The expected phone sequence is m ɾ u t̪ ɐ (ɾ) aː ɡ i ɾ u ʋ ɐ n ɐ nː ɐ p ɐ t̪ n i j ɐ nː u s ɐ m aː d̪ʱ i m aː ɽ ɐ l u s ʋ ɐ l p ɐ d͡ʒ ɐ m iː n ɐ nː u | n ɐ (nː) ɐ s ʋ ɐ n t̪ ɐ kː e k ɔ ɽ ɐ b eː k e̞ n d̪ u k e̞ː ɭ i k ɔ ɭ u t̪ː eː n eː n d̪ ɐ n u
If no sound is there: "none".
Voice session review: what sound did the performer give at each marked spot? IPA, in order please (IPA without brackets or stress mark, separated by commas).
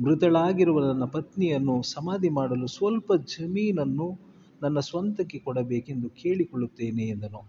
ɭ, nː